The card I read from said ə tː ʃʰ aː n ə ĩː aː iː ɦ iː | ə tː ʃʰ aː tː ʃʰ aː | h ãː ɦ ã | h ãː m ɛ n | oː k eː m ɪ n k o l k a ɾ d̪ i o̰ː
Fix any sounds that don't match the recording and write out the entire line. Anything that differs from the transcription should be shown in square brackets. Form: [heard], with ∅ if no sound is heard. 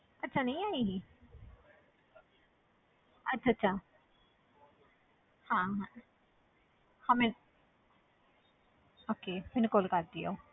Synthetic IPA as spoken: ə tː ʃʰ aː n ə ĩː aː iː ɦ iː | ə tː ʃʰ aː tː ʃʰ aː | h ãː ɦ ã | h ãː m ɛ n | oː k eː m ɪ n k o l k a ɾ d̪ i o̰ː